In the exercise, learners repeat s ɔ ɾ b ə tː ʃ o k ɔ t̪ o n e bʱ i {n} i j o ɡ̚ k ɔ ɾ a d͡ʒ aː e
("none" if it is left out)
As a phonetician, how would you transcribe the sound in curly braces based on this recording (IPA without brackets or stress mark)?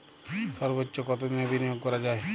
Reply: n